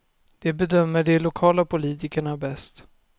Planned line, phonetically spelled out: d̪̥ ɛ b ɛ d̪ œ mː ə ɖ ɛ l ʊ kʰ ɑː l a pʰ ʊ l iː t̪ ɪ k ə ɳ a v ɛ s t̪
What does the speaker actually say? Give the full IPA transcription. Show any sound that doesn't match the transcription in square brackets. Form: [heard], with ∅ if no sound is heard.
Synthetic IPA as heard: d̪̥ ɛ b ɛ d̪ œ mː ə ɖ ɛ l ʊ kʰ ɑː l a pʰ ʊ l iː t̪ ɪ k ə ɳ a [b] ɛ s t̪

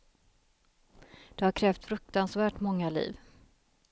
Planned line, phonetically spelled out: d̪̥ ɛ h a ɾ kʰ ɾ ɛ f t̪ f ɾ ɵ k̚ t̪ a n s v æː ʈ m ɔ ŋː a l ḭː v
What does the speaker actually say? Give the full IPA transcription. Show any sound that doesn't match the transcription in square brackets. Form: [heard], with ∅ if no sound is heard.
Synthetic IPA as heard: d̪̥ ɛ h a ɾ kʰ ɾ [ɛː] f t̪ f ɾ ɵ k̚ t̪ a n s v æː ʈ m ɔ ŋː a l ḭː v

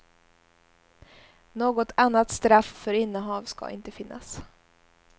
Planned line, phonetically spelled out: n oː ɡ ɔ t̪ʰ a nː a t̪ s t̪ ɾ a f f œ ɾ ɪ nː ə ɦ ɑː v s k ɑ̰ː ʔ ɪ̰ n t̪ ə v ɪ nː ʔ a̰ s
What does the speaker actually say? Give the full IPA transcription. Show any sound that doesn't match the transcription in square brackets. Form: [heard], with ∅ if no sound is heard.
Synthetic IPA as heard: n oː ɡ ɔ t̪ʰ a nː a t̪ s t̪ ɾ a f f œ ɾ ɪ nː ə ɦ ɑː v s k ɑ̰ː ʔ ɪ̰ n t̪ ə [f] ɪ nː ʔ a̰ s

